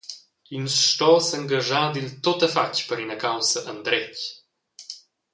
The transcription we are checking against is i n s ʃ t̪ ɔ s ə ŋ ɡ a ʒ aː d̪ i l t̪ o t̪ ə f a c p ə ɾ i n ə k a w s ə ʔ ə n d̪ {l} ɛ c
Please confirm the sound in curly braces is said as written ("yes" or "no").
no